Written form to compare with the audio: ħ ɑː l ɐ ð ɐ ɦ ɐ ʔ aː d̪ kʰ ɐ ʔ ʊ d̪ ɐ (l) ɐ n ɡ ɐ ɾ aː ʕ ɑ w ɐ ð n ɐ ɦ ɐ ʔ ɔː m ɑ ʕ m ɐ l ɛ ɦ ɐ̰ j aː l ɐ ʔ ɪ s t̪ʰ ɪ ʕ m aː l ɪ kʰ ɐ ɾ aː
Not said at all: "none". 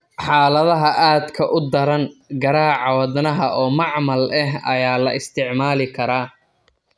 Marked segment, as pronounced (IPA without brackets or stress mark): ɾ